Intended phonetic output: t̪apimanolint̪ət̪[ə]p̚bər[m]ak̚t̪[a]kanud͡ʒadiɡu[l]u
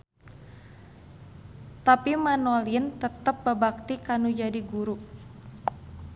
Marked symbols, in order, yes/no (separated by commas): yes, no, no, no